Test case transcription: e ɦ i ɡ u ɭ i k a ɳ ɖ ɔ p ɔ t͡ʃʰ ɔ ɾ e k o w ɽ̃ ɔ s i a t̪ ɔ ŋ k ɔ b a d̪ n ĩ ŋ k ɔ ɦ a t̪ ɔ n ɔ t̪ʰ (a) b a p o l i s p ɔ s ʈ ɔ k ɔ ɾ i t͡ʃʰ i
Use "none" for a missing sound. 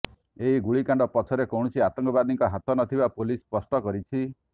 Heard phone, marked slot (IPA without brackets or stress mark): i